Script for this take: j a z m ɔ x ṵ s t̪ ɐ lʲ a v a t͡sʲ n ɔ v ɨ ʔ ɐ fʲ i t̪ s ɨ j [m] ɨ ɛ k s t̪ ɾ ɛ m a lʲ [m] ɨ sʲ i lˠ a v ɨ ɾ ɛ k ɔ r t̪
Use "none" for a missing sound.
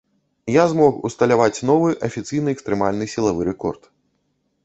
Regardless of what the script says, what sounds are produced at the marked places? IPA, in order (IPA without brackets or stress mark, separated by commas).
n, n